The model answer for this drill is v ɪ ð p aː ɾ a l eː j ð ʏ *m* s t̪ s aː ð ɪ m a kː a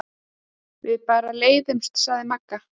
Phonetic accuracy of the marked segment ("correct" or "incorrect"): correct